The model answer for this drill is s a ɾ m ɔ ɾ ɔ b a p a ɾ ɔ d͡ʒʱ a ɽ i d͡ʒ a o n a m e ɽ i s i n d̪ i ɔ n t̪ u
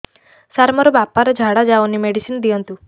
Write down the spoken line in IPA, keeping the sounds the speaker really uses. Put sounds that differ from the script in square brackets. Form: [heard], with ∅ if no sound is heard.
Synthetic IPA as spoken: s a ɾ m ɔ ɾ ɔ b a p a ɾ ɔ d͡ʒʱ a ɽ [a] d͡ʒ a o n [i] m e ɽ i s i n d̪ i ɔ n t̪ u